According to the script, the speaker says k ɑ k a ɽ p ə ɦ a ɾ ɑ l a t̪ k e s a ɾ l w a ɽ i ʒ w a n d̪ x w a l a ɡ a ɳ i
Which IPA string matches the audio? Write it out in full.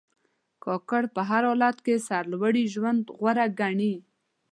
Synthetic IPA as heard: k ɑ k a ɽ p ə ɦ a ɾ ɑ l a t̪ k e s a ɾ l w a ɽ i ʒ w a n d̪ ɣ w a ɾ a ɡ a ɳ i